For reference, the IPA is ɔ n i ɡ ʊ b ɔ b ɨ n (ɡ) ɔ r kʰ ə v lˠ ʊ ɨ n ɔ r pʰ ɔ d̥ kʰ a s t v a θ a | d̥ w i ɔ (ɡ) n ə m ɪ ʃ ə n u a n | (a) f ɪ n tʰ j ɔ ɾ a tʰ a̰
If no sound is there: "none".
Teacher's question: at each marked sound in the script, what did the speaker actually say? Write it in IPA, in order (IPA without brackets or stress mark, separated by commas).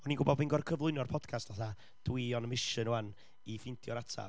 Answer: ɡ, none, i